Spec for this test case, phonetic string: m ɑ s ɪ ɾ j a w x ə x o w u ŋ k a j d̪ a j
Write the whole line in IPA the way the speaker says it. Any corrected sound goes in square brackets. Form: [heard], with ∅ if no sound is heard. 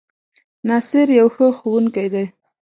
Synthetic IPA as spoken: [n] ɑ s ɪ ɾ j a w x ə x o w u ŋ k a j d̪ a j

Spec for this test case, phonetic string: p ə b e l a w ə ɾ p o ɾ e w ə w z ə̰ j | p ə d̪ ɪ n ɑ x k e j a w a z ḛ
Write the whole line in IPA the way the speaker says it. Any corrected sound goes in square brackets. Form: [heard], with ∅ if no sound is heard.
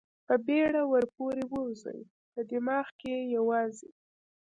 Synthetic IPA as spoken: p ə b e [ɽ] a w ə ɾ p o ɾ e w ə w z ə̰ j | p ə d̪ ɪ [m] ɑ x k e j a w [ɑ] z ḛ

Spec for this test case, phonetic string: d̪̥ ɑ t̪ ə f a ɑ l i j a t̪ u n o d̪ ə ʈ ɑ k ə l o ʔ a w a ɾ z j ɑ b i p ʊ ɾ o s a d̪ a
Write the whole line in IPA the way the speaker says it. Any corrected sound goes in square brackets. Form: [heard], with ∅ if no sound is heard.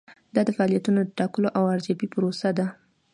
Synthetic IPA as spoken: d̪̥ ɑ [d̪] ə f a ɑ l i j a t̪ u n o d̪ ə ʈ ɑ k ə l o ʔ a w a ɾ z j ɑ b i p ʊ ɾ o s a d̪ a

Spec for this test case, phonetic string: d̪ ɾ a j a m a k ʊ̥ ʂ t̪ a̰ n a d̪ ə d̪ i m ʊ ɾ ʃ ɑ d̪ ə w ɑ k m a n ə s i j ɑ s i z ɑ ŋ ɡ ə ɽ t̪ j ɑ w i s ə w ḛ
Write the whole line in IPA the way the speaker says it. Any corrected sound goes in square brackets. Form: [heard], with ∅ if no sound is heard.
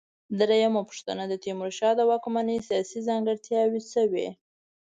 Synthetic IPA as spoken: d̪ ɾ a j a m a [p] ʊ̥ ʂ t̪ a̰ n a d̪ ə [t̪] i m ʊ ɾ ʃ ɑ d̪ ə w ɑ k m a n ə s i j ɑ s i z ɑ ŋ ɡ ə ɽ t̪ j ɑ w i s ə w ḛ

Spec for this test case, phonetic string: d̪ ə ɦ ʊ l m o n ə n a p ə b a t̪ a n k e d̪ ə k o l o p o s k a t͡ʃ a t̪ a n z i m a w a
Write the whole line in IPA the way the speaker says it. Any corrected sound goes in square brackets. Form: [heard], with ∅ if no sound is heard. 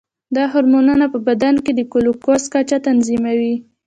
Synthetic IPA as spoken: d̪ [ɑ] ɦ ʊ [ɾ] m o n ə n a p ə b a [d̪] a n k e d̪ ə k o l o [k] o s k a t͡ʃ a t̪ a n z i m a w [i]

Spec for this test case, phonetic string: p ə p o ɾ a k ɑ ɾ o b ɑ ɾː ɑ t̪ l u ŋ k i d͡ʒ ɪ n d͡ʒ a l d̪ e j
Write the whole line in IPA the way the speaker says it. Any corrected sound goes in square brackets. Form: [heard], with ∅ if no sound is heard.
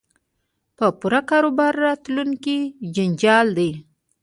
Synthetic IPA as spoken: p ə p [u] ɾ a k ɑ ɾ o b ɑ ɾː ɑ t̪ l u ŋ k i d͡ʒ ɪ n d͡ʒ [ɑ] l d̪ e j

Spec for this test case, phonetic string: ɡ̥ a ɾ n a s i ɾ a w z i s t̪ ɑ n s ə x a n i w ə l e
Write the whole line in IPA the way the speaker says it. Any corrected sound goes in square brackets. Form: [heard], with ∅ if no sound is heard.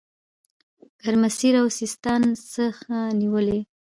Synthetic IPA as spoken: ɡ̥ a ɾ [m] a s i ɾ a w [s] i s t̪ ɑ n s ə x a n i w ə l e

